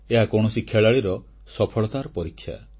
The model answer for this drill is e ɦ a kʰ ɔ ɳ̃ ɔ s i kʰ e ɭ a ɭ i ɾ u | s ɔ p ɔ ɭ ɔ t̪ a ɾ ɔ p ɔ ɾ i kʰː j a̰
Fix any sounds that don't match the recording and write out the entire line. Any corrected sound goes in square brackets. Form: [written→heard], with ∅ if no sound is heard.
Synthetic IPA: e ɦ a [kʰ→k] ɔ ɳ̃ ɔ s i kʰ e ɭ a ɭ i ɾ [u→ɔ] | s ɔ [p→pʰ] ɔ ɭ ɔ t̪ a ɾ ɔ p ɔ ɾ i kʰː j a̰